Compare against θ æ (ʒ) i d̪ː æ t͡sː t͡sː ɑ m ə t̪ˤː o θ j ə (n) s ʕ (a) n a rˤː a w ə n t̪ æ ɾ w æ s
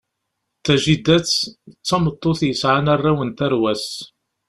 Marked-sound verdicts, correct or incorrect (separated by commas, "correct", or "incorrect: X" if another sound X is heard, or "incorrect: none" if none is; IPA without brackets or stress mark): correct, incorrect: none, correct